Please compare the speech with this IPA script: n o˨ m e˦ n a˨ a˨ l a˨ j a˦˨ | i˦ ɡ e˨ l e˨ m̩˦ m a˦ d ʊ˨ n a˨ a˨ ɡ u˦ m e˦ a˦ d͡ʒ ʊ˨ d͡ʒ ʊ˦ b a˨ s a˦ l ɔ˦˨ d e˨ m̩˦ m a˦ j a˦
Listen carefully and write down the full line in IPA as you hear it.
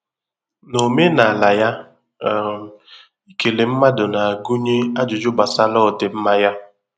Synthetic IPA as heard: n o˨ m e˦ n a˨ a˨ l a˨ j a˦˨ | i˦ k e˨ l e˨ m̩˦ m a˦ d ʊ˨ n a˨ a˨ ɡ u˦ ɲ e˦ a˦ d͡ʒ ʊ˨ d͡ʒ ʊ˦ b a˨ s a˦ l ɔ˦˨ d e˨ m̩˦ m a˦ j a˦